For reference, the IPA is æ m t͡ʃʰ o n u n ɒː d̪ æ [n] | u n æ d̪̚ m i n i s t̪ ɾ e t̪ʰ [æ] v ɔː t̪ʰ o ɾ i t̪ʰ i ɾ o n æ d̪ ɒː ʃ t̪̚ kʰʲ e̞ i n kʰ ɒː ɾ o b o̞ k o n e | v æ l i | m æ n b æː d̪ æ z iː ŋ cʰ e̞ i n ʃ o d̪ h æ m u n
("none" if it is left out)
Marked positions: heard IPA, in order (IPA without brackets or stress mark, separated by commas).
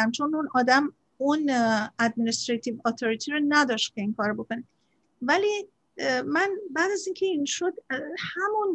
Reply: m, i